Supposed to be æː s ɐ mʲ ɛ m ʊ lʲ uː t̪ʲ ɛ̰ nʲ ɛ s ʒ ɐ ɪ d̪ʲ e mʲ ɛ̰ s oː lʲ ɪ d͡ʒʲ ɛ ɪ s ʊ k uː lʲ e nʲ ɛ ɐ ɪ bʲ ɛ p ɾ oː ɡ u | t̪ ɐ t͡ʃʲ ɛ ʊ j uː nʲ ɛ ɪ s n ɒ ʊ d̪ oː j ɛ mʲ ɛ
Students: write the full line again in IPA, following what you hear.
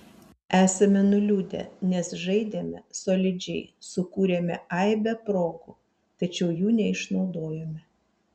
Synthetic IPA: æː s ɐ mʲ ɛ n ʊ lʲ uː d̪ʲ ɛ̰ nʲ ɛ s ʒ ɐ ɪ d̪ʲ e mʲ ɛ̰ s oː lʲ ɪ d͡ʒʲ ɛ ɪ s ʊ k uː ɾʲ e mʲ ɛ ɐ ɪ bʲ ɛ p ɾ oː ɡ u | t̪ ɐ t͡ʃʲ ɛ ʊ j uː nʲ ɛ ɪ ʃ n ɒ ʊ d̪ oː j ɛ mʲ ɛ